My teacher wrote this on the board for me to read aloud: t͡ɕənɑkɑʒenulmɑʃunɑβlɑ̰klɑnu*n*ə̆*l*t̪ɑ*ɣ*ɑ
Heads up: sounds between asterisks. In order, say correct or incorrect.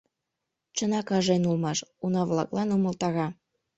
incorrect: m, correct, correct

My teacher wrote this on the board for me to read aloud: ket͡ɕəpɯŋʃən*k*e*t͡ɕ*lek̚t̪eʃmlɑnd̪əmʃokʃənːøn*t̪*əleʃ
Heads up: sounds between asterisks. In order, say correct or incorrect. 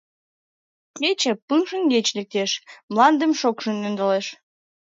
incorrect: ɡ, correct, incorrect: d̪

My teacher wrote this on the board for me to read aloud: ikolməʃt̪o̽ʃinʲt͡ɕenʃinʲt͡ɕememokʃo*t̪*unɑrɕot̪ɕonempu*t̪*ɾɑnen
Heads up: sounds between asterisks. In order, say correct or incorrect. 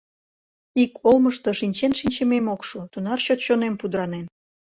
correct, incorrect: d̪

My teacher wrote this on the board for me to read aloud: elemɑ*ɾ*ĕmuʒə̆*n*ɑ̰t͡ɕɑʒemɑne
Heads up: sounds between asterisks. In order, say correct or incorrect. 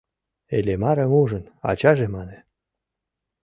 correct, correct

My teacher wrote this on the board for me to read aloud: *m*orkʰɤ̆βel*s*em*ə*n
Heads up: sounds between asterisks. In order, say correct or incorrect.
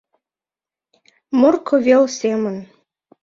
correct, correct, correct

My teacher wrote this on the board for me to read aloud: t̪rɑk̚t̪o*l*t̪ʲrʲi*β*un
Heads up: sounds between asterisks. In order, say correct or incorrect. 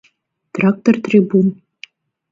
incorrect: r, incorrect: b

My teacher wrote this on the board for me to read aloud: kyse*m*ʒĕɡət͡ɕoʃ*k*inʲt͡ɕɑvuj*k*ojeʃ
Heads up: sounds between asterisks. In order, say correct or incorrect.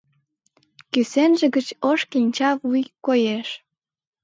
incorrect: n, correct, correct

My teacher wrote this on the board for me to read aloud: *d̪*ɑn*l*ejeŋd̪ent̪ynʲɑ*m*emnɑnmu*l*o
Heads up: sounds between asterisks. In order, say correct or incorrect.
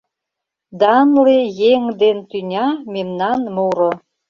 correct, correct, correct, incorrect: ɾ

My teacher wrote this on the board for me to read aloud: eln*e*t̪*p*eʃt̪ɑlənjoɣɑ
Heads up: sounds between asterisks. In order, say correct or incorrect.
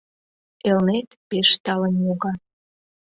correct, correct

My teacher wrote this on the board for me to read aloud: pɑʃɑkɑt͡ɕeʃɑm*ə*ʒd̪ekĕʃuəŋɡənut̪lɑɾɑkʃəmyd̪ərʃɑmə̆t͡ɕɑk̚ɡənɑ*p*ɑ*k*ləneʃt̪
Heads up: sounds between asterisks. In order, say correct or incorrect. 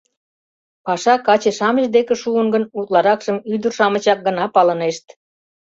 correct, correct, incorrect: none

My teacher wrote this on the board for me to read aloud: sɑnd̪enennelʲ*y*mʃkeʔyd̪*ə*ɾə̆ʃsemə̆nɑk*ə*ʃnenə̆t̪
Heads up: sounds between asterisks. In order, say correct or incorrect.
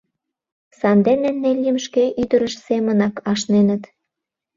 incorrect: i, correct, incorrect: ɑ

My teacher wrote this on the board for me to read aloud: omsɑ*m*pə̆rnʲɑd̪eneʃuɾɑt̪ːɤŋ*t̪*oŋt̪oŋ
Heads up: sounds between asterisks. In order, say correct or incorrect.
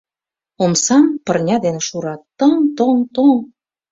correct, correct

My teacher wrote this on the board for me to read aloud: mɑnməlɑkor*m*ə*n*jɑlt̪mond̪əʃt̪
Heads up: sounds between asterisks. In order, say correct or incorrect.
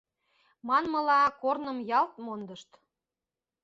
incorrect: n, incorrect: m

